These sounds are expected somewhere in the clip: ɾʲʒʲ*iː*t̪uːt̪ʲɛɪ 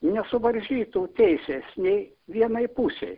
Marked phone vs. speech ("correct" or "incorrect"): correct